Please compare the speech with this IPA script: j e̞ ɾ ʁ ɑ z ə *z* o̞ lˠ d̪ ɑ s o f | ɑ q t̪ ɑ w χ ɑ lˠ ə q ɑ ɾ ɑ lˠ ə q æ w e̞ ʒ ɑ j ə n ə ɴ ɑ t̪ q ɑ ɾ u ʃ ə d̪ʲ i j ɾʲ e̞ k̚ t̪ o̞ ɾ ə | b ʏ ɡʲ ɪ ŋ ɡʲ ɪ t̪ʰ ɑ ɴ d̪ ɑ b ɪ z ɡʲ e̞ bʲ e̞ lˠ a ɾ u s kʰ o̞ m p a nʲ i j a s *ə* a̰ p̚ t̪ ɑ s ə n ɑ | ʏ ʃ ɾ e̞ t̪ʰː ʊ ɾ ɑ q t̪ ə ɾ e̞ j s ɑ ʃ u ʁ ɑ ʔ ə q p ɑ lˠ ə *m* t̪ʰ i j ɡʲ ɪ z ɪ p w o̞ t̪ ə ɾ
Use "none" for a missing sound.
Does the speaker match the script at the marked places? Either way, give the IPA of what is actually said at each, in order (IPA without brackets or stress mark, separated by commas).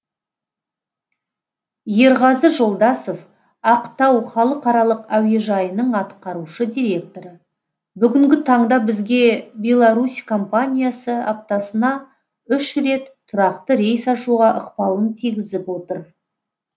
ʒ, ə, n